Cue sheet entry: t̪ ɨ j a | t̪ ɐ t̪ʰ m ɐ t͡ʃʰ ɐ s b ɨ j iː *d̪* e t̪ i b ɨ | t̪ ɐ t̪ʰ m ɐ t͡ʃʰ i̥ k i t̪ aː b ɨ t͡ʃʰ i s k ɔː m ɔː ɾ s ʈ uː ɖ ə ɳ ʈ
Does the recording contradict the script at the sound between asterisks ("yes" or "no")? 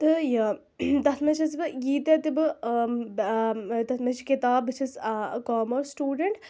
yes